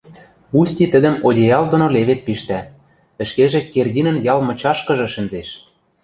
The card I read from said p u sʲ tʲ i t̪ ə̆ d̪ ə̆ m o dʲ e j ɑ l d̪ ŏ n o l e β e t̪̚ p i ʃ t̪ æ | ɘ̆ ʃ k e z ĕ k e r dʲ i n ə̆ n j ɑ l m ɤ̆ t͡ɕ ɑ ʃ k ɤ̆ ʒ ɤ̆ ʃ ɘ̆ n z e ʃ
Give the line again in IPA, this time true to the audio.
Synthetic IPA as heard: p u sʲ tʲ i t̪ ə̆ d̪ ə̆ m o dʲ e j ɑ l d̪ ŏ n o l e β e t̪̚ p i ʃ t̪ æ | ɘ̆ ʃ k e ʒ ĕ k e r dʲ i n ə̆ n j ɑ l m ɤ̆ t͡ɕ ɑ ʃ k ɤ̆ ʒ ɤ̆ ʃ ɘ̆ n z e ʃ